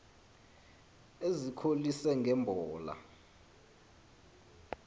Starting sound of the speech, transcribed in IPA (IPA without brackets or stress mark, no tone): e